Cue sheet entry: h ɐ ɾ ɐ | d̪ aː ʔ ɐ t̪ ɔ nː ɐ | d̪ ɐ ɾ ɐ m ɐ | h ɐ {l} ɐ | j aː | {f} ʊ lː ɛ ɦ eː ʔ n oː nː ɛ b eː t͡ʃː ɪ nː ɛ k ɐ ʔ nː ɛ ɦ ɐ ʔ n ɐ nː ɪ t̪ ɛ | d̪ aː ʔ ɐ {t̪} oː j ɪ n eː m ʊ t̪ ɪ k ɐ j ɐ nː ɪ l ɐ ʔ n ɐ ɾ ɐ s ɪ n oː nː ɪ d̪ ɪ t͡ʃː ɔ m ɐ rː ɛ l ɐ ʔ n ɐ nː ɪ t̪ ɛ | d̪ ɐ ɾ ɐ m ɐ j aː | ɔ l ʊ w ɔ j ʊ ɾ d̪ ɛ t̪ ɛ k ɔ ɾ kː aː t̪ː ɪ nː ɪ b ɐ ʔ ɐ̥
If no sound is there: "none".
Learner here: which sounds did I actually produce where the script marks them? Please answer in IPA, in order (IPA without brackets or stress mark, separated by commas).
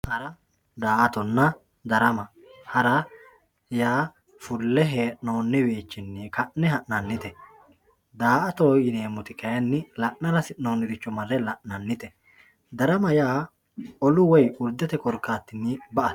ɾ, f, t̪